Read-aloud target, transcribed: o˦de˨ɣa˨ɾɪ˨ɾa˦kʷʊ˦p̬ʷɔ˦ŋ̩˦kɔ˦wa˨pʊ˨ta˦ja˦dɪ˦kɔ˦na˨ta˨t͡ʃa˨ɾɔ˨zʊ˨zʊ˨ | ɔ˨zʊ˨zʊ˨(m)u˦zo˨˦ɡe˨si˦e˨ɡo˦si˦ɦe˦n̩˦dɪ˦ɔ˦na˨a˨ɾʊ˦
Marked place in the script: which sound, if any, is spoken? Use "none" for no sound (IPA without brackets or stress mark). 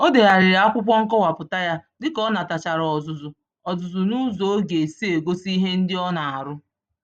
n